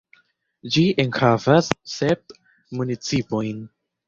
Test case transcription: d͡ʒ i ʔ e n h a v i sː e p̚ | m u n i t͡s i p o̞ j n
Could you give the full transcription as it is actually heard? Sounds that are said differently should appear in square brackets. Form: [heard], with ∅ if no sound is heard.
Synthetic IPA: d͡ʒ i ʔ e n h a v [a] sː e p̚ | m u n i t͡s i p o̞ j n